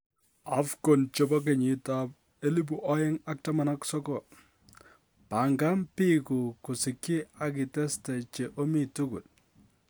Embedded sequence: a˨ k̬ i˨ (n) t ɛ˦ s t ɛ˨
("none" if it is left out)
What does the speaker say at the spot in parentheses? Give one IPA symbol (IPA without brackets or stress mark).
none